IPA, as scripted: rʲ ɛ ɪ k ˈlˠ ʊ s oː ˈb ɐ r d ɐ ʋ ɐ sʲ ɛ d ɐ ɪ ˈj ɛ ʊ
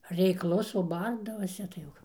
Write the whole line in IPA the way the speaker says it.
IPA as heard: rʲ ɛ ɪ k ˈlˠ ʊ s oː ˈb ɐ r d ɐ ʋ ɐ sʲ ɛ t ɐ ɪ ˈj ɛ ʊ